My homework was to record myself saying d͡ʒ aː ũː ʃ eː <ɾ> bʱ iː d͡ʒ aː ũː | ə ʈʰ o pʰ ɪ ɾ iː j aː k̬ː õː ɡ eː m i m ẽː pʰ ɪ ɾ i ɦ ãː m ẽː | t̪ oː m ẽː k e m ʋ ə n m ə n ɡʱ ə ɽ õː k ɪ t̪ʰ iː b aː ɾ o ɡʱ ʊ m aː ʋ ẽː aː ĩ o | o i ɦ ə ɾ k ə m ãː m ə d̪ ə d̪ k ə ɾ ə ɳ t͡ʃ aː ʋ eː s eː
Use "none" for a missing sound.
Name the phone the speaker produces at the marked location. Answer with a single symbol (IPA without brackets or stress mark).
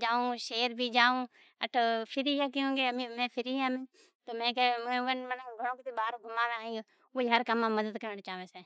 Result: ɾ